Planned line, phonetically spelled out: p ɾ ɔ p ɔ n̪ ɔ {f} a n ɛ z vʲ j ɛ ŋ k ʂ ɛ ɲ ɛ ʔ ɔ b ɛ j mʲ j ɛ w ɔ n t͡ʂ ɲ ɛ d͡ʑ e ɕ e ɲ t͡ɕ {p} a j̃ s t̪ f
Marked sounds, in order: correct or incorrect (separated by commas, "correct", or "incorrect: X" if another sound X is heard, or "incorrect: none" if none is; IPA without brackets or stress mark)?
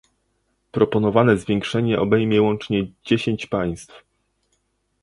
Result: incorrect: v, correct